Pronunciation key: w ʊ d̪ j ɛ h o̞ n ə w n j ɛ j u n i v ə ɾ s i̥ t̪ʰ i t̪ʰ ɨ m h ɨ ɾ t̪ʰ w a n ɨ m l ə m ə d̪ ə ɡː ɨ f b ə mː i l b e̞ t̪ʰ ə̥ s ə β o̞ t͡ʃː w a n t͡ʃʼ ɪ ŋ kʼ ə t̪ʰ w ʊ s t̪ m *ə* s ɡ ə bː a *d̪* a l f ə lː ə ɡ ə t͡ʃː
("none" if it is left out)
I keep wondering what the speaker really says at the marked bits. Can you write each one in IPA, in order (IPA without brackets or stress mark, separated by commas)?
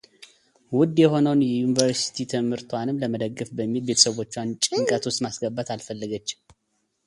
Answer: a, t̪